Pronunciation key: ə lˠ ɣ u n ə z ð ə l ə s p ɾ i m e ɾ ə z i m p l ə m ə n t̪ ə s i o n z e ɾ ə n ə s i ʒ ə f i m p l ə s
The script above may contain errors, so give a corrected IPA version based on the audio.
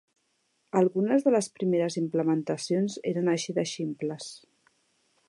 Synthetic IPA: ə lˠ ɣ u n ə z ð ə l ə s p ɾ i m e ɾ ə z i m p l ə m ə n t̪ ə s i o n z e ɾ ə n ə ʃ i ð ə ʃ i m p l ə s